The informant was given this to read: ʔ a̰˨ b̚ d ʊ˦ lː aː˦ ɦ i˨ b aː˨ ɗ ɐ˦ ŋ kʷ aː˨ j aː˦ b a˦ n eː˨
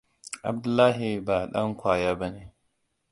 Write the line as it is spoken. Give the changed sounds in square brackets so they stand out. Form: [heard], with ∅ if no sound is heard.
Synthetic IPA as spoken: ʔ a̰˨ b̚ d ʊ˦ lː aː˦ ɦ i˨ b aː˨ ɗ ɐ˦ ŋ kʷ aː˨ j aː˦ b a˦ n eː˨